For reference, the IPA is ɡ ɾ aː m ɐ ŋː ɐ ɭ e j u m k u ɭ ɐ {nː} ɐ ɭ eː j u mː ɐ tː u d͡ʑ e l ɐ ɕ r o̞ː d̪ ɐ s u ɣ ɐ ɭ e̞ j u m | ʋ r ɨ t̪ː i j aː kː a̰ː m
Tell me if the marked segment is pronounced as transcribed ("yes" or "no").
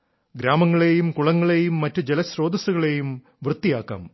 no